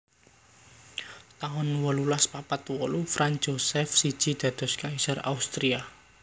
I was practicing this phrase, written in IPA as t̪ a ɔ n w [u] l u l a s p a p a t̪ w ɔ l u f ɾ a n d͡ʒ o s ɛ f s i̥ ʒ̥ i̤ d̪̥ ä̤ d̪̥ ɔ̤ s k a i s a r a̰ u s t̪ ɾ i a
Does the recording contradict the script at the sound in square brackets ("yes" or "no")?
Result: yes